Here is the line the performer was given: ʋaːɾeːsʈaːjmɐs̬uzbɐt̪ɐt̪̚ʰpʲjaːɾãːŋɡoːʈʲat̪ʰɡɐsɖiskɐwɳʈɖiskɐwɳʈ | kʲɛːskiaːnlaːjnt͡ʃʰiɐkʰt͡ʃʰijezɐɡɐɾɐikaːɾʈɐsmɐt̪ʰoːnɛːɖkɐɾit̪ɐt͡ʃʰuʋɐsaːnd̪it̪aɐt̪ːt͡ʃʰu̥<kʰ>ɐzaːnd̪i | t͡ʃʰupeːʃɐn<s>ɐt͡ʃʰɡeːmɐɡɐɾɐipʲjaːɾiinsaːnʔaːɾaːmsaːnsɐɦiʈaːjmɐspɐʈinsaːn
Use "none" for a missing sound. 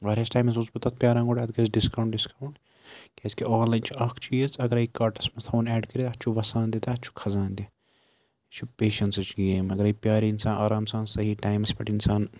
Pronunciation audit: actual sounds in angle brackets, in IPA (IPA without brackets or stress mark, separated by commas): kʰ, s